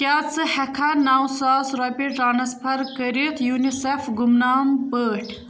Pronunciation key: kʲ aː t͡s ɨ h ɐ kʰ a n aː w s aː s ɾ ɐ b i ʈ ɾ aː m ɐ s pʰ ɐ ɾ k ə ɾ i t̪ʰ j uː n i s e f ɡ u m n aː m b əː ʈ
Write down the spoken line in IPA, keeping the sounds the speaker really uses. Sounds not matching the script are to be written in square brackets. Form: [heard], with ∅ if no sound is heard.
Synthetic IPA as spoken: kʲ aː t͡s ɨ h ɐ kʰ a n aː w s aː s ɾ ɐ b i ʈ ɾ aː [n] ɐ s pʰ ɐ ɾ k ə ɾ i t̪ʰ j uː n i s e f ɡ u m n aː m b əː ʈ

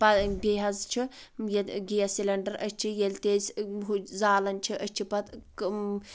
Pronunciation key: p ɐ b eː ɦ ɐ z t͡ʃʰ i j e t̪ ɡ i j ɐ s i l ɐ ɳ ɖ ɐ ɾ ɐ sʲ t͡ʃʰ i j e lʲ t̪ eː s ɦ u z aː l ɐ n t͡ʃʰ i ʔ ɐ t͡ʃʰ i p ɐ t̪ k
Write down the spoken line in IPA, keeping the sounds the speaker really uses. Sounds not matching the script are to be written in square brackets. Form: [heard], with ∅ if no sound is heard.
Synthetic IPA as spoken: p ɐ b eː ɦ ɐ z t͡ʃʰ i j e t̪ ɡ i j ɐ s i l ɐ ɳ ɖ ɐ ɾ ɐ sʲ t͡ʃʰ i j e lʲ t̪ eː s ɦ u z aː l ɐ n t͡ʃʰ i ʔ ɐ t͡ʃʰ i p ɐ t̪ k

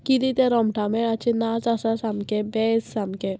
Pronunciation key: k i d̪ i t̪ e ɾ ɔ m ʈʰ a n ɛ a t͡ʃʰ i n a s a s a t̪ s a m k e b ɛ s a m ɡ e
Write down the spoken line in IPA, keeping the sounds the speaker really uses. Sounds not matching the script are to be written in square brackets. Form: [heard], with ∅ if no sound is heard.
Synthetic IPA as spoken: k i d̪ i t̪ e ɾ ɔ m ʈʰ a [m] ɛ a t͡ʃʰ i n a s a s a [∅] s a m k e b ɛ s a m [k] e

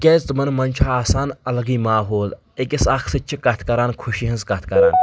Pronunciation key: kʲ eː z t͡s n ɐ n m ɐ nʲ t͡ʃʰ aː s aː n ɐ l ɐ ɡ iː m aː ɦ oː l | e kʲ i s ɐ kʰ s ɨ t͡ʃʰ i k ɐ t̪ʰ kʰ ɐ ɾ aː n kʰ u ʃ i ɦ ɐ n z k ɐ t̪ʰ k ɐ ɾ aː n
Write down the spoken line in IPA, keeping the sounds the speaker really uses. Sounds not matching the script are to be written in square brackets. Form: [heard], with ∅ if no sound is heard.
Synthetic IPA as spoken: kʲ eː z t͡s [m] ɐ n m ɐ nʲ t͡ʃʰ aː s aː n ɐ l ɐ ɡ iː m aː ɦ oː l | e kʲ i s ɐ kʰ s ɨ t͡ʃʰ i k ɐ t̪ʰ [k] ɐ ɾ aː n kʰ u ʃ i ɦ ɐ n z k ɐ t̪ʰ k ɐ ɾ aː n

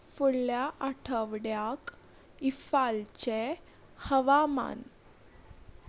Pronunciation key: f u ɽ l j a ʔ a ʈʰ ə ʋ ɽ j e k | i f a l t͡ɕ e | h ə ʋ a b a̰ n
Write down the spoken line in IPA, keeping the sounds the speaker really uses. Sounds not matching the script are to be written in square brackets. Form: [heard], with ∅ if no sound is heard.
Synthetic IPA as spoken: f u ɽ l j a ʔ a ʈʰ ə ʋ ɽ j [a] k | i f a l t͡ɕ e | h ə ʋ a [m] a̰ n

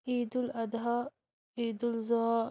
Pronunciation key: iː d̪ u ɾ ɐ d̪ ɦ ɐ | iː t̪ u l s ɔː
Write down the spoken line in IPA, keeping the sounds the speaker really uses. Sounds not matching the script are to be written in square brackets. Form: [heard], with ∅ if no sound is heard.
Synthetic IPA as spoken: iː d̪ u [l] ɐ d̪ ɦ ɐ | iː [d̪] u l [z] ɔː

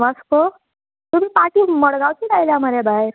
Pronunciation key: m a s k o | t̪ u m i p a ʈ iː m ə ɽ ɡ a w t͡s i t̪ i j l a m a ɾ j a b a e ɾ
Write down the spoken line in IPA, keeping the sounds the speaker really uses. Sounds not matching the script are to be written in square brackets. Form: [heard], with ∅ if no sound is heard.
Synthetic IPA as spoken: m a s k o | t̪ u m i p a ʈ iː m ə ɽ ɡ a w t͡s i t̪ [a] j l a m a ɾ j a b a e ɾ

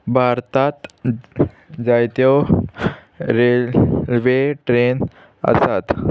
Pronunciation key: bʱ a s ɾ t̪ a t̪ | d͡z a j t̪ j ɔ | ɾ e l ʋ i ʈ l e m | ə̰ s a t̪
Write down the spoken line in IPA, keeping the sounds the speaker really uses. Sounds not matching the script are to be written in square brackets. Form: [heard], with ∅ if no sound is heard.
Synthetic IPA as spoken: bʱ a [∅] ɾ t̪ a t̪ | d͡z a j t̪ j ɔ | ɾ e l ʋ [e] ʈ [ɾ] e [n] | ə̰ s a t̪

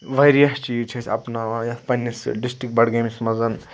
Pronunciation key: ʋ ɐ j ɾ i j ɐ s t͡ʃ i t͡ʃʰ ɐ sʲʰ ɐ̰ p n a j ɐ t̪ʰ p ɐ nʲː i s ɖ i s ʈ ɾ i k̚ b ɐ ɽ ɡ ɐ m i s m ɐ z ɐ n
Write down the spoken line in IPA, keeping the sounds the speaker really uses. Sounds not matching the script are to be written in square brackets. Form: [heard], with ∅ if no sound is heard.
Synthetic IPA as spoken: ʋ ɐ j ɾ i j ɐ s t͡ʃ i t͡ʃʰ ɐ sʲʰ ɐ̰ p n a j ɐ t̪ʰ p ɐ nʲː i s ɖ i s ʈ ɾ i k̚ b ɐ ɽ ɡ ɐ m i s m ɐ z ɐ n

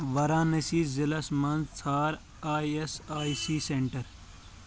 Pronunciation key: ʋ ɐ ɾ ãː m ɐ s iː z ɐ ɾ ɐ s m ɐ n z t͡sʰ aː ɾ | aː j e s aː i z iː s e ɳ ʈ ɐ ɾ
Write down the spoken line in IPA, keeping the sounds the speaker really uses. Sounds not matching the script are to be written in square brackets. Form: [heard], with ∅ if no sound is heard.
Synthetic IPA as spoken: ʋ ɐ ɾ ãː [n] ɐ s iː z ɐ [l] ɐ s m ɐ n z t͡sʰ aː ɾ | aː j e s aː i [s] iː s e ɳ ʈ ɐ ɾ

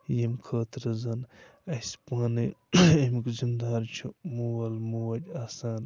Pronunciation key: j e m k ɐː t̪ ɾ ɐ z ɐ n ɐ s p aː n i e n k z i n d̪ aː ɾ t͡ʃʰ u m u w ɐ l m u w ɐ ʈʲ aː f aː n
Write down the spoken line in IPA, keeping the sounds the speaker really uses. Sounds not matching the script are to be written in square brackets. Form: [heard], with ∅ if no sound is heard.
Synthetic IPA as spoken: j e m [kʰ] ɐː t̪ ɾ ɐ z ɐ n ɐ s p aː n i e [m] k z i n d̪ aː ɾ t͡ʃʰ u m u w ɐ l m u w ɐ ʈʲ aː [s] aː n

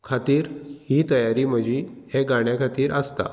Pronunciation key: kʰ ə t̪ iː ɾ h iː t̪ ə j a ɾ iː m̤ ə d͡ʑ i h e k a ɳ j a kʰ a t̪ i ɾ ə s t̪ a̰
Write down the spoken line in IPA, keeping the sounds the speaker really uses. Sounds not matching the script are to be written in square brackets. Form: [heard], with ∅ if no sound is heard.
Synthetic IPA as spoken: kʰ [a] t̪ iː ɾ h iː t̪ ə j a ɾ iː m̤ ə d͡ʑ i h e [ɡ] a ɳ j a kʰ a t̪ [iː] ɾ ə s t̪ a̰

